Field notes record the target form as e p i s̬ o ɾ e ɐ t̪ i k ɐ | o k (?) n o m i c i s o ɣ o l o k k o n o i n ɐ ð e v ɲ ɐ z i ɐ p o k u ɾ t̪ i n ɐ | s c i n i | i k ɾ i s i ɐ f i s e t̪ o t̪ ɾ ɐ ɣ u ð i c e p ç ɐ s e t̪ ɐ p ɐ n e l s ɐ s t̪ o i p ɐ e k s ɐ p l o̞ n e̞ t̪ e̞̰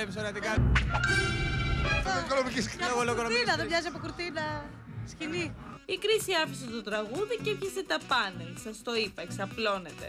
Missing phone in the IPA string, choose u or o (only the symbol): o